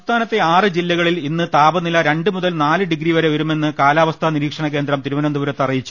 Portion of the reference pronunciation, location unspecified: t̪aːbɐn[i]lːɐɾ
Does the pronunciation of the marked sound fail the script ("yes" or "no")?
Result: no